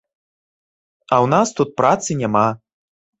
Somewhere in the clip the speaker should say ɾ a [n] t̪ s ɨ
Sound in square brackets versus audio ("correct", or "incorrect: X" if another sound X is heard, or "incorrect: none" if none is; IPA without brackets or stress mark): incorrect: none